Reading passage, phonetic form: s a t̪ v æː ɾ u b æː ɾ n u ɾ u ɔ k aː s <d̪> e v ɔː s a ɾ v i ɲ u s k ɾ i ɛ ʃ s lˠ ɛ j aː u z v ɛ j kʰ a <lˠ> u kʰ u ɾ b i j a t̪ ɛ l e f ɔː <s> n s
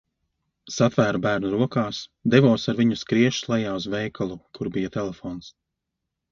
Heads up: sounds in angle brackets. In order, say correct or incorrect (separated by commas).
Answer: correct, correct, incorrect